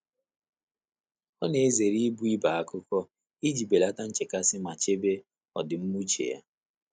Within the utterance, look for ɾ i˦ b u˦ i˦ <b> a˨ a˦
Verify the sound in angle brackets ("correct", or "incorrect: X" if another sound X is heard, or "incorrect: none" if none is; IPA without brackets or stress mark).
correct